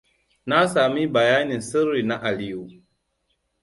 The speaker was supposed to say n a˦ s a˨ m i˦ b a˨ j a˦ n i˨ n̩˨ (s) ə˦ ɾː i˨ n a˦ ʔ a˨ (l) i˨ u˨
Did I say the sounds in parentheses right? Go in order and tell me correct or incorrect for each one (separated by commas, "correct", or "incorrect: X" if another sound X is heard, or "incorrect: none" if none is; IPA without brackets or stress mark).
correct, correct